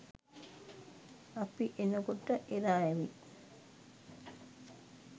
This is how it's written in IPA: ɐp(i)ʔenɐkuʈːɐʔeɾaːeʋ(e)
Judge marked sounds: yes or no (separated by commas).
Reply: yes, no